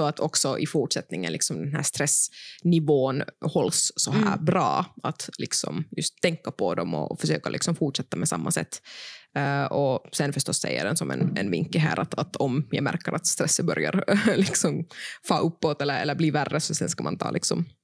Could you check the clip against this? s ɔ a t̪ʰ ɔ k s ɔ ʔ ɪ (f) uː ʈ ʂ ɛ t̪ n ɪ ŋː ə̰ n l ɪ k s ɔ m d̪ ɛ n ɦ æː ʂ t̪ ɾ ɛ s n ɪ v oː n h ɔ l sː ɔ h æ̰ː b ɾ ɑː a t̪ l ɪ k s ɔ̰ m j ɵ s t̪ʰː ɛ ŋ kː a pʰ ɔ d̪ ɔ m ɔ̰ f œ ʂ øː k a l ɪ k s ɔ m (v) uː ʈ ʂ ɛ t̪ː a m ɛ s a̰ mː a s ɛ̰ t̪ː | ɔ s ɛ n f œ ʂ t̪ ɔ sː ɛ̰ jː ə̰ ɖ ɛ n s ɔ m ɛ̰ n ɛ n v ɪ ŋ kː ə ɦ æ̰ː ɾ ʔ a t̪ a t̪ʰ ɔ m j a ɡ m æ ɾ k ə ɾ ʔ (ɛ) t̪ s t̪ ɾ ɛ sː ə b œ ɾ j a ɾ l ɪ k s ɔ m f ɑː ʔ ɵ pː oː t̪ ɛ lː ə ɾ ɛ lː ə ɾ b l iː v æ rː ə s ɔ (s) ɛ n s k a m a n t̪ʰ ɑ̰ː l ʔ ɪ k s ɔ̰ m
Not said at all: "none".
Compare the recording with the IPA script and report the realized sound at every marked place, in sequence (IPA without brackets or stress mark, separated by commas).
f, f, a, s